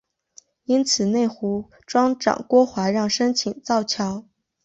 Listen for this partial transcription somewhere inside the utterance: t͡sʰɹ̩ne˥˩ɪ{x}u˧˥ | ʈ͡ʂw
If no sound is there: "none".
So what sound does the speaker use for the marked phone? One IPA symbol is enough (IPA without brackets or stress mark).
x